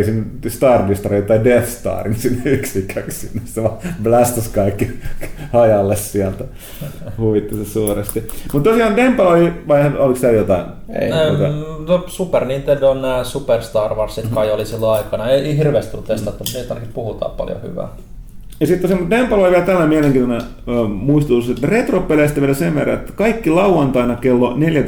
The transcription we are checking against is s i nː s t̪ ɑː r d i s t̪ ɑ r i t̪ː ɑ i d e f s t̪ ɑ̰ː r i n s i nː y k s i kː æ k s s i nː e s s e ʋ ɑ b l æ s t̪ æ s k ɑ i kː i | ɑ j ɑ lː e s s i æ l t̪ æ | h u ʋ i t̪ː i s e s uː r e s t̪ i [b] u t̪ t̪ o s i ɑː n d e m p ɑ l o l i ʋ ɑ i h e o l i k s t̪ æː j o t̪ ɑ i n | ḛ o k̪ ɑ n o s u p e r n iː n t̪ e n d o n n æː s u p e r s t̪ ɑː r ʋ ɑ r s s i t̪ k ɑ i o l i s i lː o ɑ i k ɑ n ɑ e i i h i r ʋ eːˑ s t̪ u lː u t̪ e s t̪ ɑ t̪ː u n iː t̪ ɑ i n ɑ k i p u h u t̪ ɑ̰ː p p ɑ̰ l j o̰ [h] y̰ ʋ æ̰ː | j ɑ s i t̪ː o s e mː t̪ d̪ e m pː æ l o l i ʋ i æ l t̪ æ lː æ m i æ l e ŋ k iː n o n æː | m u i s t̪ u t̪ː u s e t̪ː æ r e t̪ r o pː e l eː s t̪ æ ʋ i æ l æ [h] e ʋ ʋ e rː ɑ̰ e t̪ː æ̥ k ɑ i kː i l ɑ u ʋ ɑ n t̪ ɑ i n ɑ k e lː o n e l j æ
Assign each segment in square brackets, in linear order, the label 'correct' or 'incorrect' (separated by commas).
incorrect, correct, incorrect